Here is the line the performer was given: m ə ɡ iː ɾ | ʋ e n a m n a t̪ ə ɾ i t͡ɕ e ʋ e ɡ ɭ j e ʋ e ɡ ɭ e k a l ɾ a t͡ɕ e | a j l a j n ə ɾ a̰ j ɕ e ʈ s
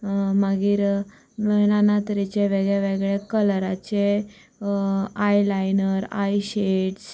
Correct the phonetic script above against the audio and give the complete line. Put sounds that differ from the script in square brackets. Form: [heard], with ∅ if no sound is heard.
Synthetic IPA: m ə ɡ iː ɾ | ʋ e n a [∅] n a t̪ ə ɾ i t͡ɕ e ʋ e ɡ ɭ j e ʋ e ɡ ɭ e k [ə] l ɾ a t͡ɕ e | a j l a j n ə ɾ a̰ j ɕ e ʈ s

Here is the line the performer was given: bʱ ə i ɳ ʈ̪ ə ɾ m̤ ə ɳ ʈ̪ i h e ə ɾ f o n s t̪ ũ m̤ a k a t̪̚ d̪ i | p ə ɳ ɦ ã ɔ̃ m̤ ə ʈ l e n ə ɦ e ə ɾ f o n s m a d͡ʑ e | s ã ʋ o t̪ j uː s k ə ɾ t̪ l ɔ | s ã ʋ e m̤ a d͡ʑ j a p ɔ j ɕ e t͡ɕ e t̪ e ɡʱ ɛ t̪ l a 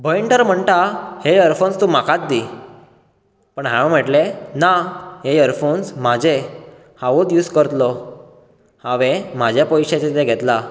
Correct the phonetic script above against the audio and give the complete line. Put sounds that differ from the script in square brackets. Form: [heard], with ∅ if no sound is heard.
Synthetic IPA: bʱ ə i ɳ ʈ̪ ə ɾ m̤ ə ɳ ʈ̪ [a] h e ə ɾ f o n s t̪ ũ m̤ a k a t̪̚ d̪ i | p ə ɳ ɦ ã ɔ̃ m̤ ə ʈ l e n [a] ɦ e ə ɾ f o n s m a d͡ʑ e | [h] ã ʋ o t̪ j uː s k ə ɾ t̪ l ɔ | [h] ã ʋ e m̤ a d͡ʑ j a p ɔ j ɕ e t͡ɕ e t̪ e ɡʱ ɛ t̪ l a

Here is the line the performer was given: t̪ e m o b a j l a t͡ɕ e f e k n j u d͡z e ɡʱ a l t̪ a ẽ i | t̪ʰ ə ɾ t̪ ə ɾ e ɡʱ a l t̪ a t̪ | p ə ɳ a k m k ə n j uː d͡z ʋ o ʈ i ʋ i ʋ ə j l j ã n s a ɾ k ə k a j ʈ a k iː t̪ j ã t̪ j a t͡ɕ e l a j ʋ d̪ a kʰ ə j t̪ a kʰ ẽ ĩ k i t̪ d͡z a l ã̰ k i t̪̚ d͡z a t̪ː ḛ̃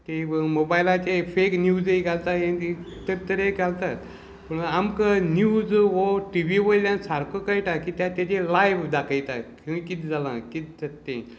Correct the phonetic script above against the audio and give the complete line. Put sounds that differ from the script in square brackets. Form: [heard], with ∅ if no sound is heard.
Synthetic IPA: t̪ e m o b a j l a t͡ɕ e f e k n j u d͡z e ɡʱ a l t̪ a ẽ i | [t̪] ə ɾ t̪ ə ɾ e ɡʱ a l t̪ a t̪ | p ə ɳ a [∅] m k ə n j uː d͡z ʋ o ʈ i ʋ i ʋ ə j l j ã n s a ɾ k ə k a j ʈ a k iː t̪ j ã t̪ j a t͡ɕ e l a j ʋ d̪ a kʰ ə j t̪ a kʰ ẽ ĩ k i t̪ d͡z a l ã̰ k i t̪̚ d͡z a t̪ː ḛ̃

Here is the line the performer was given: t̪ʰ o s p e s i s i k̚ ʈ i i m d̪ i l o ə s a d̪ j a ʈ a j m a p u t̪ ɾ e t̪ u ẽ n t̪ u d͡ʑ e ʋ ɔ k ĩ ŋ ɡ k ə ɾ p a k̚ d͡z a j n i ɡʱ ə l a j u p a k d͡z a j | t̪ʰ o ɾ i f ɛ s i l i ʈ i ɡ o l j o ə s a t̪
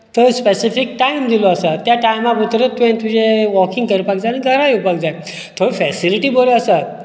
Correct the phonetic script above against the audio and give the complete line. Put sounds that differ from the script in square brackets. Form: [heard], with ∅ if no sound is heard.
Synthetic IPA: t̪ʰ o s p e s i [f] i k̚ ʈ [a] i m d̪ i l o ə s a [t̪] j a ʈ a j m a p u t̪ ɾ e t̪ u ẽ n t̪ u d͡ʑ e ʋ ɔ k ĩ ŋ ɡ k ə ɾ p a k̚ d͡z a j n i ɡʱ ə [ɾ] a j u p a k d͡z a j | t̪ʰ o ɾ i f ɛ s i l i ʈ i [b] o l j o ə s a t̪

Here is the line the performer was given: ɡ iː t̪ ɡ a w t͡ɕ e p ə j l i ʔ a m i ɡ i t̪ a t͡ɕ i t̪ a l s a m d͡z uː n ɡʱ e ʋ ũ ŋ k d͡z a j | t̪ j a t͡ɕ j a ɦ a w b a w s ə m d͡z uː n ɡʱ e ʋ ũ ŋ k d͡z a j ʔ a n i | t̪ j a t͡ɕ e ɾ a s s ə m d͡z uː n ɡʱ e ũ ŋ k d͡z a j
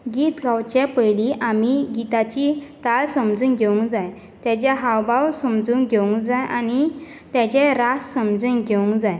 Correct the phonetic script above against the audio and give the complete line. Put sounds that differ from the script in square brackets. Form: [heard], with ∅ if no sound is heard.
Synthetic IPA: ɡ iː t̪ ɡ a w t͡ɕ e p ə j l i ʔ a m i ɡ i t̪ a t͡ɕ i t̪ a l s [ə] m d͡z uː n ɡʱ e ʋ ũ ŋ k d͡z a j | t̪ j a t͡ɕ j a ɦ a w b a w s ə m d͡z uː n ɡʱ e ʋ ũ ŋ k d͡z a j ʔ a n i | t̪ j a t͡ɕ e ɾ a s s ə m d͡z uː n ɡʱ e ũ ŋ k d͡z a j

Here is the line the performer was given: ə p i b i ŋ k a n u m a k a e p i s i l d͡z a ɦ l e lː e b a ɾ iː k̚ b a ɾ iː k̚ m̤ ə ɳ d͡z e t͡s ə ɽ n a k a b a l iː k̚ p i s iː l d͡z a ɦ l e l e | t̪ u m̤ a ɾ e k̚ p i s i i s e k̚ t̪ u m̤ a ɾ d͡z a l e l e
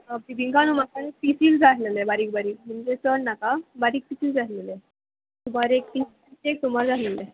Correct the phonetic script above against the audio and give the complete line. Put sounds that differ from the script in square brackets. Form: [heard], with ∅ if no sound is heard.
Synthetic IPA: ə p i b i ŋ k a n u m a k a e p i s i l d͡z a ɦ l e [l] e b a ɾ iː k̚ b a ɾ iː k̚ m̤ ə ɳ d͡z e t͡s ə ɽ n a k a b a [ɾ] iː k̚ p i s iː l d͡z a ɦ l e l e | t̪ u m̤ a ɾ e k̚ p i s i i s e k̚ t̪ u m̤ a ɾ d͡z a l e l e

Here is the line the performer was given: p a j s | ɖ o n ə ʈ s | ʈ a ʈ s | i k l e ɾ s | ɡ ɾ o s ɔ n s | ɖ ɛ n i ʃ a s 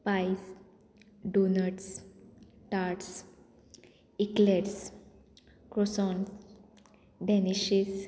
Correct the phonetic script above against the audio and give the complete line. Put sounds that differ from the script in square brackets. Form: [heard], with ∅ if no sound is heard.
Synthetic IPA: p a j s | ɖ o n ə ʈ s | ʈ a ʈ s | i k l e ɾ s | [k] ɾ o s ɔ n s | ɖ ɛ n i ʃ [i] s

